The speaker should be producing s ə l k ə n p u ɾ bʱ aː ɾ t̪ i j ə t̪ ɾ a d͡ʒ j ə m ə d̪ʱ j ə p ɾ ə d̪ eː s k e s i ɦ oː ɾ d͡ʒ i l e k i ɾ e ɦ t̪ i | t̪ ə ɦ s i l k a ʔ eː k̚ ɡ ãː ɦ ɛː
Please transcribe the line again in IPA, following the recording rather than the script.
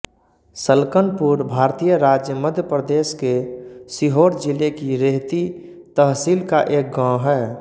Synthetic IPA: s ə l k ə n p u ɾ bʱ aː ɾ t̪ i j ə ɾ a d͡ʒ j ə m ə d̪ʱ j ə p ɾ ə d̪ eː s k e s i ɦ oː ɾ d͡ʒ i l e k i ɾ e ɦ t̪ i | t̪ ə ɦ s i l k a ʔ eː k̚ ɡ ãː ɦ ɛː